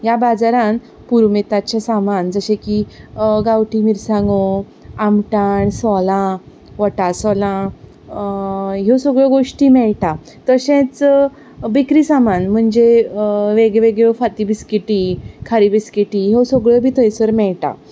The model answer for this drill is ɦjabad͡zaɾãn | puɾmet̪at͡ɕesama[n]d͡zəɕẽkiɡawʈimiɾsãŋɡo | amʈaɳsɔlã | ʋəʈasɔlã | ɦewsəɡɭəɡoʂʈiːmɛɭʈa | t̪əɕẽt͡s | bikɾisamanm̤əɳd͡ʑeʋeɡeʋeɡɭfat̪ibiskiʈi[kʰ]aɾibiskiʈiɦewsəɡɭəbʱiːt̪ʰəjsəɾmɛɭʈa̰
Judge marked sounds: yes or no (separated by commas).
yes, yes